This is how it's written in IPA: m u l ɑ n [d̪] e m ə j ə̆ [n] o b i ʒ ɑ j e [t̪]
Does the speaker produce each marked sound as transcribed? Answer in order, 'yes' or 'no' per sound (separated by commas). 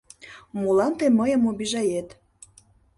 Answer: no, no, yes